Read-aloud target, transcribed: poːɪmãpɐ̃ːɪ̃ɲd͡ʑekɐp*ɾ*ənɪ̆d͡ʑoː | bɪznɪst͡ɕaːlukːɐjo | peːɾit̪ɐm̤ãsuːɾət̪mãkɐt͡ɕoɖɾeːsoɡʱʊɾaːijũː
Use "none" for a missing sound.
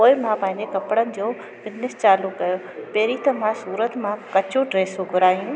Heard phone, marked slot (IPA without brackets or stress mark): ɽ